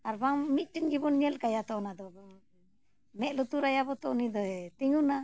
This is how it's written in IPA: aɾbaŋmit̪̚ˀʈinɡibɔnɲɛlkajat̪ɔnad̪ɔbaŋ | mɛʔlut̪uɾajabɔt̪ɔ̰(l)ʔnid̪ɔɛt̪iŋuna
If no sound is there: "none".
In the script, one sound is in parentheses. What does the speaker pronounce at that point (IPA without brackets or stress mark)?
none